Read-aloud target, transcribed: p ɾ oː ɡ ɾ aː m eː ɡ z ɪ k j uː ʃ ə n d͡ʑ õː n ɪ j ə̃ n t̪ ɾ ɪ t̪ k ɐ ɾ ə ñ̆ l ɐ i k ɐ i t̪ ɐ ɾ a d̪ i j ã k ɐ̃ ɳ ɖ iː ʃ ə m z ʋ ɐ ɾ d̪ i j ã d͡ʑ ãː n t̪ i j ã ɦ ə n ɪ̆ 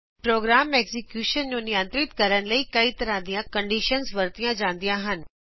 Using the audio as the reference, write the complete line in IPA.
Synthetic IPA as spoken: p ɾ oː ɡ ɾ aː m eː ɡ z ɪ k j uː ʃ ə n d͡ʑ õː n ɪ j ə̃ n t̪ ɾ ɪ t̪ k ɐ ɾ ə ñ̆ l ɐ i k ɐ i t̪ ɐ ɾ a d̪ i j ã k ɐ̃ ɳ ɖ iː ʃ ə n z ʋ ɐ ɾ t̪ i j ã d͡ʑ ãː n d̪ i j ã ɦ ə n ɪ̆